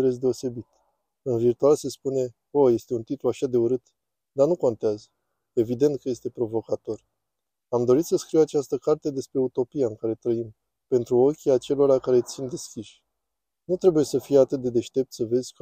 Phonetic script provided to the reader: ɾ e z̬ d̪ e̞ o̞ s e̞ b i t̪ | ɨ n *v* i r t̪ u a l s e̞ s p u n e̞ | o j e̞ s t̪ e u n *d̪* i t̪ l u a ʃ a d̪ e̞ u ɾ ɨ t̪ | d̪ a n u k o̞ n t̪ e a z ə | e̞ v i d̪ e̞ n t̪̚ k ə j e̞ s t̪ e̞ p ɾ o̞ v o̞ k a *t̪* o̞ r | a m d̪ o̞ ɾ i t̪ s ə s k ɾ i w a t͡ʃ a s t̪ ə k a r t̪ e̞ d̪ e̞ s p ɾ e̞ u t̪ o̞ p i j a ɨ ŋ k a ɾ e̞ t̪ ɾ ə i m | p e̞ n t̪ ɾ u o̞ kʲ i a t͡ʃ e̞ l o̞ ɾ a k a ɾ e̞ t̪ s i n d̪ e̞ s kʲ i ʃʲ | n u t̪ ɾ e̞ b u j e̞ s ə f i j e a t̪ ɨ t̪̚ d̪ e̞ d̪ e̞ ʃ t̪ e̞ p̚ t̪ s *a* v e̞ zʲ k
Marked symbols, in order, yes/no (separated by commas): yes, no, yes, no